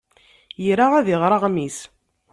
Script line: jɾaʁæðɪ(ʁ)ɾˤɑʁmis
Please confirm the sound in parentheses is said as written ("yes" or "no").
yes